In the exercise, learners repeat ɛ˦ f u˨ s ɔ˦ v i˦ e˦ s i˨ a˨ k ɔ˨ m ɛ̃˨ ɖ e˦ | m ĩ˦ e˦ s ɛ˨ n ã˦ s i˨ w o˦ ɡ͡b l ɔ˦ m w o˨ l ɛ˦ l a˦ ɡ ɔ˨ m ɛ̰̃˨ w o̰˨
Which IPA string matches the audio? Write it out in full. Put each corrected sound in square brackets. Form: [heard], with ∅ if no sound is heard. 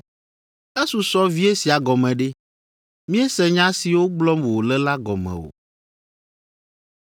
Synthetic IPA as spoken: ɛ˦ [s] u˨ s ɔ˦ v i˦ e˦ s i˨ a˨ [ɡ] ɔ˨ m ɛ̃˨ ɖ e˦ | m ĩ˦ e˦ s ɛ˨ [ɲ] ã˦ s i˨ w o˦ ɡ͡b l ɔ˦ m w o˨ l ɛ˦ l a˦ ɡ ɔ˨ m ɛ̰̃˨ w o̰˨